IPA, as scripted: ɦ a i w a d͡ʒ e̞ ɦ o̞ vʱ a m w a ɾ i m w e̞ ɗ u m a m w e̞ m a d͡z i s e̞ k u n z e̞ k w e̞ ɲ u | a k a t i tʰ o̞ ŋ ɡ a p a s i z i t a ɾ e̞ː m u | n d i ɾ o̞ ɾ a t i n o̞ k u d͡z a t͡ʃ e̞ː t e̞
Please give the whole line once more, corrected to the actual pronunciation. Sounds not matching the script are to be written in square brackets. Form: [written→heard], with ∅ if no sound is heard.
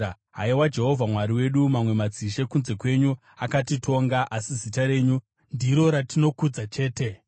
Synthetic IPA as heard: ɦ a i w a d͡ʒ e̞ ɦ o̞ vʱ a m w a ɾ i [m→∅] w e̞ ɗ u m a m w e̞ m a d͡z i [s→ʃ] e̞ k u n z e̞ k w e̞ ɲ u | a k a t i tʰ o̞ ŋ ɡ a [p→ʔ] a s i z i t a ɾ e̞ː [m→ɲ] u | n d i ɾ o̞ ɾ a t i n o̞ k u d͡z a t͡ʃ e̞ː t e̞